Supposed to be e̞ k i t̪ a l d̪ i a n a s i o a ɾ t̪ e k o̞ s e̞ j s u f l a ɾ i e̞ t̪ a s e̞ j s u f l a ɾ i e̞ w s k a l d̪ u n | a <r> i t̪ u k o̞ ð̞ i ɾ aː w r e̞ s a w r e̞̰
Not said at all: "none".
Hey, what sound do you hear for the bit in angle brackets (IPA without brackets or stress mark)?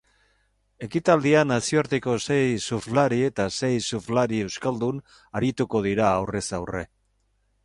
ɾ